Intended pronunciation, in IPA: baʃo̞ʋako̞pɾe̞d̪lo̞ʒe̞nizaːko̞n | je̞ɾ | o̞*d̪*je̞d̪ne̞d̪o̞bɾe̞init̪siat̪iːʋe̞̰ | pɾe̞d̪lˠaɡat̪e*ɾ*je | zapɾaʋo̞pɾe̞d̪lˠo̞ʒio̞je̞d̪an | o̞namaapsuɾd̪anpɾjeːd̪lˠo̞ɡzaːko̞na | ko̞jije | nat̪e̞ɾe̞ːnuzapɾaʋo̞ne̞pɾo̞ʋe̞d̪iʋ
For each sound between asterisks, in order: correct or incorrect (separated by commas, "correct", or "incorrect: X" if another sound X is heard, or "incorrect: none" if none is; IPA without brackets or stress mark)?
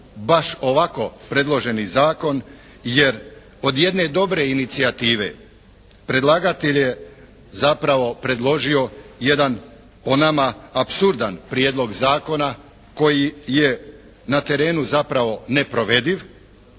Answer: correct, incorrect: ʎ